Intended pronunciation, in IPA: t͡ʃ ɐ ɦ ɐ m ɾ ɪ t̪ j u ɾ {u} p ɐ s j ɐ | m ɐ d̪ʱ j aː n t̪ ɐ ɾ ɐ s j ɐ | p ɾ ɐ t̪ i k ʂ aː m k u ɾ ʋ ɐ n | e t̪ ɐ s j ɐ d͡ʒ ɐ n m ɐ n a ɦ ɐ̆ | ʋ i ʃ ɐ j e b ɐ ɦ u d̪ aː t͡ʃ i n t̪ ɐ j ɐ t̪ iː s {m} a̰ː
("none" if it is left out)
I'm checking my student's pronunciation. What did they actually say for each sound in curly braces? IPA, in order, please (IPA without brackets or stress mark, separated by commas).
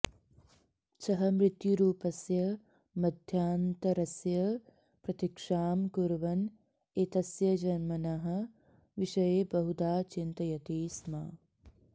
uː, m